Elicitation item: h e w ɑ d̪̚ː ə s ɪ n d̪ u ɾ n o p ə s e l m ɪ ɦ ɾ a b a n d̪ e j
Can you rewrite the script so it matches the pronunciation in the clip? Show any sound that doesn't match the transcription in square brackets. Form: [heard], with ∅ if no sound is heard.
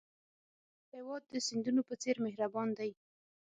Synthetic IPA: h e w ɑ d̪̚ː ə s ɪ n d̪ u [∅] n o p ə [t͡s] e [ɾ] m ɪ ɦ ɾ a b [ɑ] n d̪ [a] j